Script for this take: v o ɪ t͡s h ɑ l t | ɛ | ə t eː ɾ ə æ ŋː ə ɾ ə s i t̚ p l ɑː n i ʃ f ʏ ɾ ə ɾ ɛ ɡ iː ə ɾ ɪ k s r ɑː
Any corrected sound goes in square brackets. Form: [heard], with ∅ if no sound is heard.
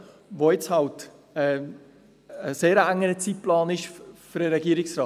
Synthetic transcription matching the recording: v o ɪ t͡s h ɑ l t | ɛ | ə [s] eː ɾ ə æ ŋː ə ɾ ə [t͡s] i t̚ p l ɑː n [ɪ] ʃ f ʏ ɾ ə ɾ ɛ ɡ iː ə ɾ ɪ k s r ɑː